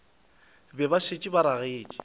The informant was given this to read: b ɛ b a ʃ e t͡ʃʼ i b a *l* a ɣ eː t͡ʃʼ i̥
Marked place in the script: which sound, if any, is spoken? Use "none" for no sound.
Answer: ɾ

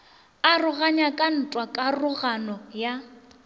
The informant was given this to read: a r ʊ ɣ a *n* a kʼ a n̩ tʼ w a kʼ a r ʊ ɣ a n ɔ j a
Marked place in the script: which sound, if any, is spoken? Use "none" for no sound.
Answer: ɲ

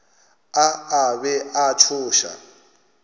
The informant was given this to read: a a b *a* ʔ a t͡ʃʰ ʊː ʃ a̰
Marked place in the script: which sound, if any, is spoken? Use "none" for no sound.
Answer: ɛ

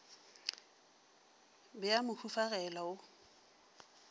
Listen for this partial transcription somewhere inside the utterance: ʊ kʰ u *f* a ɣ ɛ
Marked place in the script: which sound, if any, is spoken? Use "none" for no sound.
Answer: f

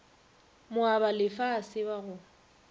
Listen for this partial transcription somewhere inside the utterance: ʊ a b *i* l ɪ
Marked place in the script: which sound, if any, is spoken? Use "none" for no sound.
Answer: a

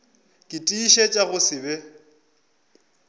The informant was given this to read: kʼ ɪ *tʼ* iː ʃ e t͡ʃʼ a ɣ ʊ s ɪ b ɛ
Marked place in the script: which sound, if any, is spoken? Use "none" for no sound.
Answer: tʼ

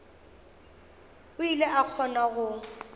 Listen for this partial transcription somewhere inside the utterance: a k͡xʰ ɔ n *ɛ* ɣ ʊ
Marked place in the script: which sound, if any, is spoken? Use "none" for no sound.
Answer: a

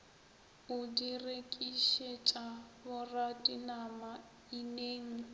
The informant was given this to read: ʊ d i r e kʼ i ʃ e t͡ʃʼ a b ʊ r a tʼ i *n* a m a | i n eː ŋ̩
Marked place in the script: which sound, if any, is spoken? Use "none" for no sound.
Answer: n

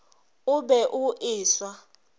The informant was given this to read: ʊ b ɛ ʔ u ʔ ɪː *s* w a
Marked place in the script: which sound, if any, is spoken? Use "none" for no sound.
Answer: s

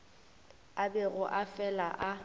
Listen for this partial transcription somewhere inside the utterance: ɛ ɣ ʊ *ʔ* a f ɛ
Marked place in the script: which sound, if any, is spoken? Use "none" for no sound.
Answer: ʔ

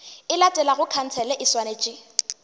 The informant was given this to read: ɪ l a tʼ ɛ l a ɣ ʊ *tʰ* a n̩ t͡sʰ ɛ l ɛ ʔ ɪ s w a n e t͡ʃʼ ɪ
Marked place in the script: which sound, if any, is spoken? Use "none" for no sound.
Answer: kʰ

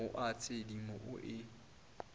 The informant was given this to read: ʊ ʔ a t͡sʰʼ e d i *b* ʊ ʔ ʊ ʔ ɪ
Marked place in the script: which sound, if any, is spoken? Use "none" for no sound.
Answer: m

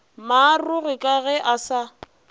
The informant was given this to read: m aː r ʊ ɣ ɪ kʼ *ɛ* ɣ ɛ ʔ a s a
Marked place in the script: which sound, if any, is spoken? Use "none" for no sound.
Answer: a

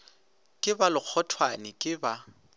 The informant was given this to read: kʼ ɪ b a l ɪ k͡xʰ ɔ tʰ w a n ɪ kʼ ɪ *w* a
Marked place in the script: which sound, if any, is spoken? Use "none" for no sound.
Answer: b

